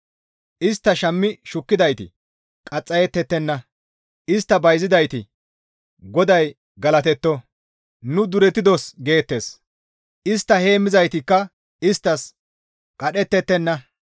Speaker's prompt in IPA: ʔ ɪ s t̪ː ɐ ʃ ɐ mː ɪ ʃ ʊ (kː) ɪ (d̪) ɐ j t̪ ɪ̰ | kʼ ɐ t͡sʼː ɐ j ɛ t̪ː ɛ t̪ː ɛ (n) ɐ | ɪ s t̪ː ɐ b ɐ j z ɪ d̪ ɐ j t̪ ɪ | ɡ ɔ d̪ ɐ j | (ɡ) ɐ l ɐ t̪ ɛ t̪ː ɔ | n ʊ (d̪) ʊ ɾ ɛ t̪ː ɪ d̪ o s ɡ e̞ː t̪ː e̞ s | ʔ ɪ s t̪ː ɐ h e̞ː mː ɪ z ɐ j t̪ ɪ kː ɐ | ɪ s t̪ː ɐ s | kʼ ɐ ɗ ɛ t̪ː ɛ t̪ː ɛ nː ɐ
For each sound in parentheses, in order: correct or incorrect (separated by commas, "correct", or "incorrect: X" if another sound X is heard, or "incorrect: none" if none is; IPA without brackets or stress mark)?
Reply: correct, correct, incorrect: nː, correct, correct